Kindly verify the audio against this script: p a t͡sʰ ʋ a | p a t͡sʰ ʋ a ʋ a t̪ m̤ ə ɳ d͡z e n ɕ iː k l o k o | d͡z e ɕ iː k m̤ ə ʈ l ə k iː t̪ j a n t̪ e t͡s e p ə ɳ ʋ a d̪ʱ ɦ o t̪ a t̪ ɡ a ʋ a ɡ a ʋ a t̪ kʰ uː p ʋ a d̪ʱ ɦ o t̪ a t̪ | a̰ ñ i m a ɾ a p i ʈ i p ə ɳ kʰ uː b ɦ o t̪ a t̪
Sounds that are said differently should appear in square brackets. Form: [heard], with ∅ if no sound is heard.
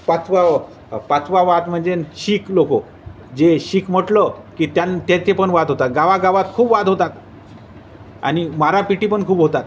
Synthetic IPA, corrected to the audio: p a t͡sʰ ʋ a | p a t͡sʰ ʋ a ʋ a t̪ m̤ ə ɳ d͡z e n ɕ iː k l o k o | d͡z e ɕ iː k m̤ ə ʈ l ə k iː t̪ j a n t̪ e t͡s e p ə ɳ ʋ a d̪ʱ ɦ o t̪ a t̪ ɡ a ʋ a ɡ a ʋ a t̪ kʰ uː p ʋ a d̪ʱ ɦ o t̪ a t̪ | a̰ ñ i m a ɾ a p i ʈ i p ə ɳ kʰ uː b ɦ o t̪ a t̪